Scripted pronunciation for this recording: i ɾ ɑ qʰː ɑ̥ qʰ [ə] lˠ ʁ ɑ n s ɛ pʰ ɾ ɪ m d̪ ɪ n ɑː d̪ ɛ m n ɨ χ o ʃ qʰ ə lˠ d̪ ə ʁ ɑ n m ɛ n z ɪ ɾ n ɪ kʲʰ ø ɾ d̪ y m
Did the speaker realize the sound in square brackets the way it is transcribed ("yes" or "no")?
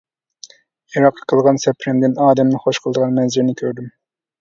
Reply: yes